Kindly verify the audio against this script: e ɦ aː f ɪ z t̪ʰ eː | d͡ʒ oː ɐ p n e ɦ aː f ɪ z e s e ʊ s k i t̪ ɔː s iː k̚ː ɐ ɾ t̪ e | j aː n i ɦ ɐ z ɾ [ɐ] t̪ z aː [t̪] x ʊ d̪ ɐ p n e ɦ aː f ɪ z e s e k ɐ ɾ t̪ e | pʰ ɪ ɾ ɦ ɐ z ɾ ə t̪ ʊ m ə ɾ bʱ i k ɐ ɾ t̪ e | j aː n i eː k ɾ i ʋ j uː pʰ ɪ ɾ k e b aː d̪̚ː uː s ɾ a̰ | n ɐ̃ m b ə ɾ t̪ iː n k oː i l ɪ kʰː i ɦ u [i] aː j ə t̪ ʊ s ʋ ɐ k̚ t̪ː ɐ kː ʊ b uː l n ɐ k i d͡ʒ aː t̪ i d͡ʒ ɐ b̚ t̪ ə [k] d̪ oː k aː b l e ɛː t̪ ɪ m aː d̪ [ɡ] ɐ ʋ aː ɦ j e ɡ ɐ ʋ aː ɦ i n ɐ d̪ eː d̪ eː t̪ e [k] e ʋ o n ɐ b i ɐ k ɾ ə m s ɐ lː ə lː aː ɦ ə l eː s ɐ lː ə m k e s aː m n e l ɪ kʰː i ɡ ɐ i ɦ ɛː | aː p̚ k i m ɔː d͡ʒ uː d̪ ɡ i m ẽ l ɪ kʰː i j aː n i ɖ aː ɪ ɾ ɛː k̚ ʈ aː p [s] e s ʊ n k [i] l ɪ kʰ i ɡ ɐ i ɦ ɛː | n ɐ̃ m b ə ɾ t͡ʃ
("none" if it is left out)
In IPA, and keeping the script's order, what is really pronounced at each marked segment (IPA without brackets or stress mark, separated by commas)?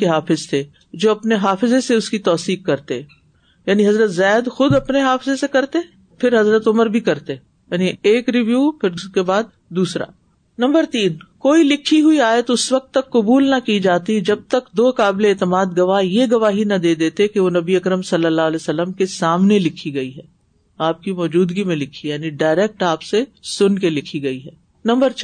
ə, d̪, i, k, ɡ, k, s, e